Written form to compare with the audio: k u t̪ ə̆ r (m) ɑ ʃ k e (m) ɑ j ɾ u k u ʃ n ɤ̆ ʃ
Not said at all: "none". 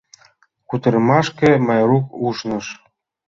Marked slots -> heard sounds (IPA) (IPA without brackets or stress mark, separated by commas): m, m